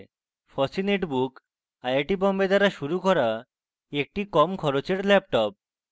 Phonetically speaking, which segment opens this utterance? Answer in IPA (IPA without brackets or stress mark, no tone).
f